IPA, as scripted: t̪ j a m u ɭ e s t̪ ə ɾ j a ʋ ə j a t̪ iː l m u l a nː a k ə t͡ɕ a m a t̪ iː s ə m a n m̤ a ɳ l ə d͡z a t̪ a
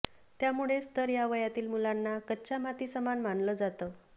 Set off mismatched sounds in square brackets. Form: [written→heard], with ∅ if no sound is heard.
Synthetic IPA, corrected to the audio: t̪ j a m u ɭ e s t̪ ə ɾ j a ʋ ə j a t̪ iː l m u l a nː a k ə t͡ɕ a m a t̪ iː s ə m a n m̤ a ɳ l ə d͡z a t̪ [a→ə]